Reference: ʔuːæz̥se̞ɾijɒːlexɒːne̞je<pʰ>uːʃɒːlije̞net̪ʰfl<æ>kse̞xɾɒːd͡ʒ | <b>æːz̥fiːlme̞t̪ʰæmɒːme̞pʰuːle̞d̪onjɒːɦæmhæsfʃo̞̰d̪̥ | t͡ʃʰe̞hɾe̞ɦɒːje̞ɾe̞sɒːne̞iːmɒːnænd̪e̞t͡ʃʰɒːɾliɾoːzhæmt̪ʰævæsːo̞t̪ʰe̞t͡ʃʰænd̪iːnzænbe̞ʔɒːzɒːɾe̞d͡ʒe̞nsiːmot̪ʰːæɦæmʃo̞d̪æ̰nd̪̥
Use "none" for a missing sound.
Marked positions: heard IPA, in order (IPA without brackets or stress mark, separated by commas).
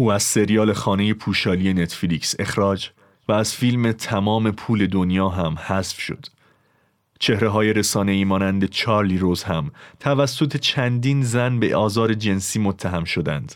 pʰ, i, v